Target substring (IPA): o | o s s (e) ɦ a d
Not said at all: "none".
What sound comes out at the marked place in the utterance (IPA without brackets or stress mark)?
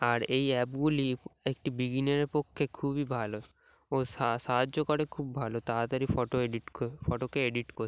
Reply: a